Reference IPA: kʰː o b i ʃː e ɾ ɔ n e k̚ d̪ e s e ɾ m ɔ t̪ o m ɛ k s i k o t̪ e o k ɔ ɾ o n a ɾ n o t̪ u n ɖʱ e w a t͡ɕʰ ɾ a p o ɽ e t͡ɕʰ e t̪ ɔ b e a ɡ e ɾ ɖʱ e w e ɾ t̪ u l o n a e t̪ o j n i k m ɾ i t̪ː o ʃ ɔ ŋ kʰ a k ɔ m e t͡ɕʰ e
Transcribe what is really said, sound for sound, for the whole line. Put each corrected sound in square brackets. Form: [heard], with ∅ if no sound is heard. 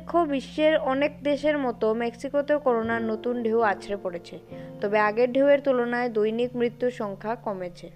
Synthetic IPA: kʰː o b i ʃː e ɾ ɔ n e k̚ d̪ e [ʃ] e ɾ m ɔ t̪ o m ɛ k s i k o t̪ e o k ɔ ɾ o n a ɾ n o t̪ u n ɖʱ e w a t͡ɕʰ ɾ [e] p o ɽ e t͡ɕʰ e t̪ ɔ b e a ɡ e ɾ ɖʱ e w e ɾ t̪ u l o n a e [d̪] o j n i k m ɾ i t̪ː [u] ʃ ɔ ŋ kʰ a k ɔ m e t͡ɕʰ e